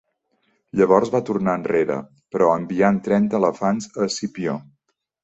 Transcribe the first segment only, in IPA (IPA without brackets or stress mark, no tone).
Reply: ʎ